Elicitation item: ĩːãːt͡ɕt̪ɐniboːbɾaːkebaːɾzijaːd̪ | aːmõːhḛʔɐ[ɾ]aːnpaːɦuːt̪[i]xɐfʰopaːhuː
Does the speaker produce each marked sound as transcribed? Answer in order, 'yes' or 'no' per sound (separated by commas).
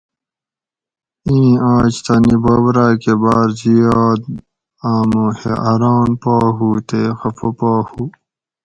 yes, no